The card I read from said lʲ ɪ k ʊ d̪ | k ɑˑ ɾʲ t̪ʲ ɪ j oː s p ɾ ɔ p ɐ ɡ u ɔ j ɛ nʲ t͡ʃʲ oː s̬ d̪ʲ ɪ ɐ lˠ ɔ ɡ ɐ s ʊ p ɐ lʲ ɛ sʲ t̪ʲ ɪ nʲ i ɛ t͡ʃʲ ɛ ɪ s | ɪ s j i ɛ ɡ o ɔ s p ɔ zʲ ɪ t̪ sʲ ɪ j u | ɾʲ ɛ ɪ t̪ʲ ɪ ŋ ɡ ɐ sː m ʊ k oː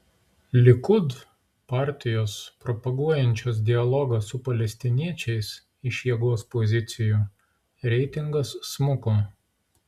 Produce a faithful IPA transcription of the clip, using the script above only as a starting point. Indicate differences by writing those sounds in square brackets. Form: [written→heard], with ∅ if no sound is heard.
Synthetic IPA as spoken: lʲ ɪ k ʊ d̪ | [k→p] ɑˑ ɾʲ t̪ʲ ɪ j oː s p ɾ ɔ p ɐ ɡ u ɔ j ɛ nʲ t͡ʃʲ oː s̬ d̪ʲ ɪ ɐ lˠ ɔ ɡ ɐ s ʊ p ɐ lʲ ɛ sʲ t̪ʲ ɪ nʲ i ɛ t͡ʃʲ ɛ ɪ s | ɪ [s→ʃ] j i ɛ ɡ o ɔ s p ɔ zʲ ɪ t̪ sʲ ɪ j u | ɾʲ ɛ ɪ t̪ʲ ɪ ŋ ɡ ɐ sː m ʊ k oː